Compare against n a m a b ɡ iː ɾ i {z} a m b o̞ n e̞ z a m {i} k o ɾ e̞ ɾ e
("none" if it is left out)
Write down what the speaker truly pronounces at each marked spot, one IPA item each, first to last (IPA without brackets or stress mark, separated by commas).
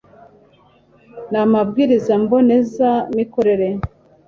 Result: z, i